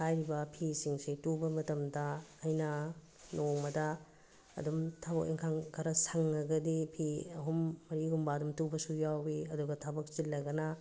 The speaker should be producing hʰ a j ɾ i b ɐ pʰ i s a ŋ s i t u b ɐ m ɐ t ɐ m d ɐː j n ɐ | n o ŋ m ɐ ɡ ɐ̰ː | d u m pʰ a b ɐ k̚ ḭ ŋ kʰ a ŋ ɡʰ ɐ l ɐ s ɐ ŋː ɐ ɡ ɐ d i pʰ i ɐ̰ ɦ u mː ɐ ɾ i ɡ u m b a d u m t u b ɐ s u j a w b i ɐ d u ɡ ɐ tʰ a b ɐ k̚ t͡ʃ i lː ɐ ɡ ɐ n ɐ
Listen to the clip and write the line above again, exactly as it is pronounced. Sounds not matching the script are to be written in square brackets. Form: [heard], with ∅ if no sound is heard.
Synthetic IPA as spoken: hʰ a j ɾ i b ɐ pʰ i s [i] ŋ s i t u b ɐ m ɐ t ɐ m d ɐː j n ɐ | n o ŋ m ɐ [d] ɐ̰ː | d u m [tʰ] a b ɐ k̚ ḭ ŋ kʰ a ŋ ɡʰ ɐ [ɾ] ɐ s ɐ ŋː ɐ ɡ ɐ d i pʰ i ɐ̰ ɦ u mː ɐ ɾ i ɡ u m b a d u m t u b ɐ s u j a w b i ɐ d u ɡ ɐ tʰ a b ɐ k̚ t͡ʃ i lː ɐ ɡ ɐ n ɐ